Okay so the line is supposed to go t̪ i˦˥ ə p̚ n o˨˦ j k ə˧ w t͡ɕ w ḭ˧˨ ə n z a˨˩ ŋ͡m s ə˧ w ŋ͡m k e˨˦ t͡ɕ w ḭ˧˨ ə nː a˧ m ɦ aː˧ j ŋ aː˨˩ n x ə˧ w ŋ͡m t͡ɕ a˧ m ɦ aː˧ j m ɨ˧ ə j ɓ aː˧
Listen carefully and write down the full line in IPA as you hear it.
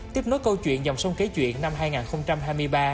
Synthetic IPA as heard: t̪ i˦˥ ə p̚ n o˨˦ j k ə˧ w t͡ɕ w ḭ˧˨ ə n z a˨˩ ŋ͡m s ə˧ w ŋ͡m k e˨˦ t͡ɕ w ḭ˧˨ ə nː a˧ m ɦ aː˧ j ŋ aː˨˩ n x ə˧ w ŋ͡m t͡ɕ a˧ m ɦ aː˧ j m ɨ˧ ə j ɓ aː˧